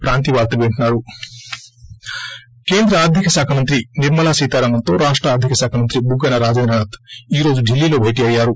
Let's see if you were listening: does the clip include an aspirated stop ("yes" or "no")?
yes